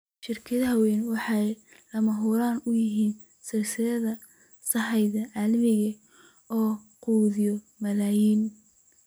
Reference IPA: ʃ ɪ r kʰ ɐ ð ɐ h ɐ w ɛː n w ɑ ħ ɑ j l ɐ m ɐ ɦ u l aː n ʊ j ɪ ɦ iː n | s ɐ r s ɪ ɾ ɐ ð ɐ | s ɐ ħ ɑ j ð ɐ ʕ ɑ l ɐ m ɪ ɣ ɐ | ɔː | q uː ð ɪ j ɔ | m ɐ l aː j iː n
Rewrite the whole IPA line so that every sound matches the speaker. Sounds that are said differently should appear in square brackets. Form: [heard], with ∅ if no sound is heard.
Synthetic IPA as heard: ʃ ɪ r kʰ ɐ ð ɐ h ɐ w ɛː n w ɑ ħ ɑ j l ɐ m ɐ ɦ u [ɾ] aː n ʊ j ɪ ɦ iː n | s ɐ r s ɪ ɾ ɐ ð ɐ | s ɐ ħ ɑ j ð ɐ ʕ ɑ l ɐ m ɪ ɣ ɐ | ɔː | q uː ð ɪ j ɔ | m ɐ l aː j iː n

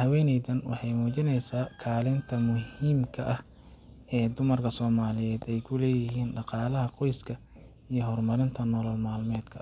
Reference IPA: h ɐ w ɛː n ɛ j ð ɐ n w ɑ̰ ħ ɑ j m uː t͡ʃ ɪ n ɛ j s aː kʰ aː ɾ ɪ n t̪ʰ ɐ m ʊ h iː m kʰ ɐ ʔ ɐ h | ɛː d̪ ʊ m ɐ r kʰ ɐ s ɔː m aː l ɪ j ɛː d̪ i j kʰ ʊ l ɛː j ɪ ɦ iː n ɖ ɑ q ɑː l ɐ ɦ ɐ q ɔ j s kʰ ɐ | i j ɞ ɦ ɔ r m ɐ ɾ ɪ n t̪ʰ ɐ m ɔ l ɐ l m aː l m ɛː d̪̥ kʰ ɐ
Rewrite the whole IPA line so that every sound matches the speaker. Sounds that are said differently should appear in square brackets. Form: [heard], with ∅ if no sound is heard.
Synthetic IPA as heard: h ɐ w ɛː n ɛ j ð ɐ n w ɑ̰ ħ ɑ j m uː t͡ʃ ɪ n ɛ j s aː kʰ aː [l] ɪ n t̪ʰ ɐ m ʊ h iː m kʰ ɐ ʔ ɐ h | ɛː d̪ ʊ m ɐ r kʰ ɐ s ɔː m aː l ɪ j ɛː d̪ [ɛ] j kʰ ʊ l ɛː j ɪ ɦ iː n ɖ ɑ q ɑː l ɐ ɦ ɐ q ɔ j s kʰ ɐ | i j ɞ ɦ ɔ r m ɐ ɾ ɪ n t̪ʰ ɐ [n] ɔ l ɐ l m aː l m ɛː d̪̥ kʰ ɐ

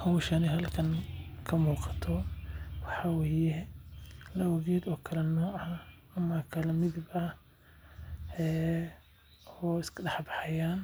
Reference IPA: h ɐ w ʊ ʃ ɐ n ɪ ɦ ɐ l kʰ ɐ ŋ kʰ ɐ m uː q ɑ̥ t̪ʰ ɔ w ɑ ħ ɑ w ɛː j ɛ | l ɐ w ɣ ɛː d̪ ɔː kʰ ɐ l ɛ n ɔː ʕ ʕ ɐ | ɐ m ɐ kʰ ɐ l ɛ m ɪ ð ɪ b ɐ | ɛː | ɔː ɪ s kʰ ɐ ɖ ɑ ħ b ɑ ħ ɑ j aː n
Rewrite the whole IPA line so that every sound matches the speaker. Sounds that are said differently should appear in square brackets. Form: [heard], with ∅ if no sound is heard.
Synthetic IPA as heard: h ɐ w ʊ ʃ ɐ n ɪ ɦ ɐ l kʰ ɐ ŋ kʰ ɐ m uː q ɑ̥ t̪ʰ ɔ w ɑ ħ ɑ w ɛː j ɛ | l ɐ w ɣ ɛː d̪ ɔː kʰ ɐ l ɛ n ɔː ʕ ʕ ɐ | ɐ m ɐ kʰ ɐ l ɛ m ɪ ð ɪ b ɐ | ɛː | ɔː ɪ s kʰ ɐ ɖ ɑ ħ b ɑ ħ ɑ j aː n

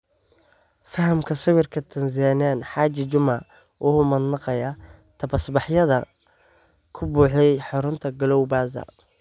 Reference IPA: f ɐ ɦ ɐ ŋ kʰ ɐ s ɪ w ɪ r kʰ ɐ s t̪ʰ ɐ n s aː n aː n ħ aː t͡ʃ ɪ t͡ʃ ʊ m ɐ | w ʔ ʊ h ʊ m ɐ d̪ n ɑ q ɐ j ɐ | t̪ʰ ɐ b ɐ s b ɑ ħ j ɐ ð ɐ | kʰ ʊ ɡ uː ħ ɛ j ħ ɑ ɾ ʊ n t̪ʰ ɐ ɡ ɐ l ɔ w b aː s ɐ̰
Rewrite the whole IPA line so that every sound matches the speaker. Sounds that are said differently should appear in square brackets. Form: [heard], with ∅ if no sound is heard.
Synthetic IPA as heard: f ɐ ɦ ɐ [m] kʰ ɐ s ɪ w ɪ r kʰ ɐ [∅] t̪ʰ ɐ n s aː n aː n ħ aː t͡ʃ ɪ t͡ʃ ʊ m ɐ | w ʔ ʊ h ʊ m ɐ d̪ n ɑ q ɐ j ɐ | t̪ʰ ɐ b ɐ s b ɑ ħ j ɐ ð ɐ | kʰ ʊ [b] uː ħ ɛ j ħ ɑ ɾ ʊ n t̪ʰ ɐ ɡ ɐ l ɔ w b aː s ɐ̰

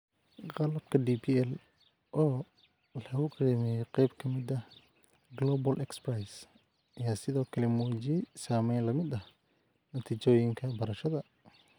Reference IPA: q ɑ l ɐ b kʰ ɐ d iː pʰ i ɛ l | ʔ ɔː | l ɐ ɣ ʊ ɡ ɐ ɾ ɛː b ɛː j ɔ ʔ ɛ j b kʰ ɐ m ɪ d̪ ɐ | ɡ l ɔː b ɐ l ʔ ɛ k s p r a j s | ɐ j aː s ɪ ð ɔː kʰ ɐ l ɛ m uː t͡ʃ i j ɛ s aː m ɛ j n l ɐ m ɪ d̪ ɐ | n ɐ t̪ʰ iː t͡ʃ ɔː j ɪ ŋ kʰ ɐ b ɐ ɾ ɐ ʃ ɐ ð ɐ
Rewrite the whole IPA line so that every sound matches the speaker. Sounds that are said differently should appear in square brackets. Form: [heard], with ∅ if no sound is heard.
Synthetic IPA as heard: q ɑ l ɐ b kʰ ɐ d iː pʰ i ɛ l | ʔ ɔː | l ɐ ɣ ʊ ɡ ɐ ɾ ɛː [m] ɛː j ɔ [q] ɛ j b kʰ ɐ m ɪ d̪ ɐ | ɡ l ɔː b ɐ l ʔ ɛ k s p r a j s | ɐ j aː s ɪ ð ɔː kʰ ɐ l ɛ m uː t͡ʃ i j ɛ s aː m ɛ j n l ɐ m ɪ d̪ ɐ | n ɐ t̪ʰ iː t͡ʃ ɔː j ɪ ŋ kʰ ɐ b ɐ ɾ ɐ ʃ ɐ ð ɐ

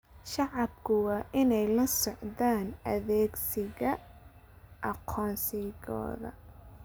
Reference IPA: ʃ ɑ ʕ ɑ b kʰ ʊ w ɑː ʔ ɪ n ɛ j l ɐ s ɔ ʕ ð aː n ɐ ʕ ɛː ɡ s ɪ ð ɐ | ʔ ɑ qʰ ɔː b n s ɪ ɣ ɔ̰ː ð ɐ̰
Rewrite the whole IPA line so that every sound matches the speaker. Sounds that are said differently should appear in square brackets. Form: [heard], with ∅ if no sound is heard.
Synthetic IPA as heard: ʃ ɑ ʕ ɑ b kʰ ʊ w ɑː ʔ ɪ n ɛ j l ɐ s ɔ ʕ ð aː n ɐ [ð] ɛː ɡ s ɪ [ɣ] ɐ | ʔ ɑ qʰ ɔː [∅] n s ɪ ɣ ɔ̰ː ð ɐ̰

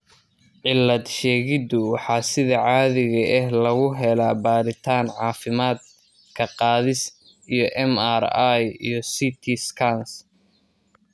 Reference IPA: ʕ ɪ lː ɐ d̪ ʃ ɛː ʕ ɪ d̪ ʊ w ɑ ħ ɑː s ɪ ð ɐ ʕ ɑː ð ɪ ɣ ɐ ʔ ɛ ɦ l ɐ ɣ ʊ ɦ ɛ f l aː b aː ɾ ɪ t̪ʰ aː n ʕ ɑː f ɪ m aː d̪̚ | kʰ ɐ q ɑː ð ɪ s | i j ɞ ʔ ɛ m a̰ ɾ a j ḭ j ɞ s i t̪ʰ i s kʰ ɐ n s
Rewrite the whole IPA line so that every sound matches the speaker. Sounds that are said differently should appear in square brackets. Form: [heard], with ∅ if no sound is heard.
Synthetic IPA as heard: ʕ ɪ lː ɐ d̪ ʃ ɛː [ɣ] ɪ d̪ ʊ w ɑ ħ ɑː s ɪ ð ɐ ʕ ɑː ð ɪ ɣ ɐ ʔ ɛ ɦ l ɐ ɣ ʊ ɦ ɛ [∅] l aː b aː ɾ ɪ t̪ʰ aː n ʕ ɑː f ɪ m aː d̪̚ | kʰ ɐ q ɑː ð ɪ s | i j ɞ ʔ ɛ m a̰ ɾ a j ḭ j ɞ s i t̪ʰ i s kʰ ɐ n s

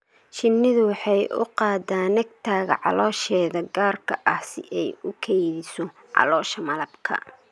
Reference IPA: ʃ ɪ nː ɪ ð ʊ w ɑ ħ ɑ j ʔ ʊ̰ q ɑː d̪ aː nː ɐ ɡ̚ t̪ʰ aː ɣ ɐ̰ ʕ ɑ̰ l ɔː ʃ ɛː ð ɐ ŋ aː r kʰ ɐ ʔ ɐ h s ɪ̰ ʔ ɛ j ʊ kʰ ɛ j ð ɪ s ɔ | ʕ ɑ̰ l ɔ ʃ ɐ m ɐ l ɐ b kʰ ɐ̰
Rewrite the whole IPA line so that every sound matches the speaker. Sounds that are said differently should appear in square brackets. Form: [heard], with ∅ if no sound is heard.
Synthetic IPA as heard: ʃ ɪ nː ɪ ð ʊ w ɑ ħ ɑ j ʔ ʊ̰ q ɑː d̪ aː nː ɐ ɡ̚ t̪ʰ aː ɣ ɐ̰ ʕ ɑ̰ l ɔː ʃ ɛː ð ɐ [ɡ] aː r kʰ ɐ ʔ ɐ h s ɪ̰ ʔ ɛ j ʊ kʰ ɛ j ð ɪ s ɔ | ʕ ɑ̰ l [ɔː] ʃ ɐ m ɐ l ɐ b kʰ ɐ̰

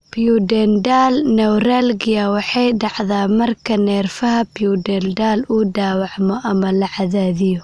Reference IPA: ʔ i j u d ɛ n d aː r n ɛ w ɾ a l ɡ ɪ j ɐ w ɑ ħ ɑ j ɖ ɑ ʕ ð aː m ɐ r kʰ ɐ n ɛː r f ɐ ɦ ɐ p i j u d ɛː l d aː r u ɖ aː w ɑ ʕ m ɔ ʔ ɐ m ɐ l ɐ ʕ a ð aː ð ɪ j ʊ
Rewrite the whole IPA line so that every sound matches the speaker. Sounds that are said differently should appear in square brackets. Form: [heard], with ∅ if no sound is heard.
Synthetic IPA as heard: [p] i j u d ɛ n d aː [l] n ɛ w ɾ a l ɡ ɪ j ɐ w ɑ ħ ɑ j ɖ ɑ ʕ ð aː m ɐ r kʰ ɐ n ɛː r f ɐ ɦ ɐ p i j u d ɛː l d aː [l] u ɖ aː w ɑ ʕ m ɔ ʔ ɐ m ɐ l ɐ ʕ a ð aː ð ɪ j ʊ

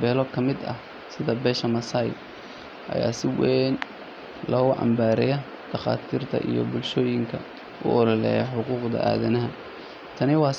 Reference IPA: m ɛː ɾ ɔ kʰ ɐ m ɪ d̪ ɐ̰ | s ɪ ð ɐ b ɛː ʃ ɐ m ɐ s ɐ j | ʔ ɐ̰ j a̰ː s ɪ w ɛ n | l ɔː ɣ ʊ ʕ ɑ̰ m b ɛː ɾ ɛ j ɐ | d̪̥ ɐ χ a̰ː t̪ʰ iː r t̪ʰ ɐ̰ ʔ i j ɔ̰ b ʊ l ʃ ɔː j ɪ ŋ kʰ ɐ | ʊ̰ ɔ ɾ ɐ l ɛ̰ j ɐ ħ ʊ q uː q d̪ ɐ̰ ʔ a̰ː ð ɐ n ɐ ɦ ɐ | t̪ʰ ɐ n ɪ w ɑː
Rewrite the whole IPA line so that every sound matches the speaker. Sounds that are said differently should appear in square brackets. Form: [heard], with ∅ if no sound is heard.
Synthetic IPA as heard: [b] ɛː [l] ɔ kʰ ɐ m ɪ d̪ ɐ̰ | s ɪ ð ɐ b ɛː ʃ ɐ m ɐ s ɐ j | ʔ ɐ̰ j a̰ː s ɪ w ɛ n | l ɔː ɣ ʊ ʕ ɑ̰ m b [aː] ɾ ɛ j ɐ | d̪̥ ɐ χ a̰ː t̪ʰ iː r t̪ʰ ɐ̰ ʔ i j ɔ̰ b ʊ l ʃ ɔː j ɪ ŋ kʰ ɐ | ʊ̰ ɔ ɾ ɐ l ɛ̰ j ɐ ħ ʊ q uː q d̪ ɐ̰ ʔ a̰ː ð ɐ n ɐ ɦ ɐ | t̪ʰ ɐ n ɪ w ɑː

